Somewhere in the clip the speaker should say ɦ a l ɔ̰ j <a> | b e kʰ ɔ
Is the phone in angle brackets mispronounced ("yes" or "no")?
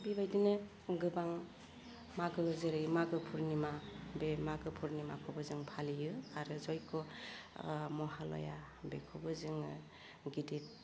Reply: no